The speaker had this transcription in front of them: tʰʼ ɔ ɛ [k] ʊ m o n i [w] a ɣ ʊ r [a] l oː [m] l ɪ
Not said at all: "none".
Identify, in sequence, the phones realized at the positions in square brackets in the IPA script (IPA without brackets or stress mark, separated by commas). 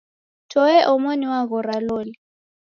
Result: ʔ, w, a, none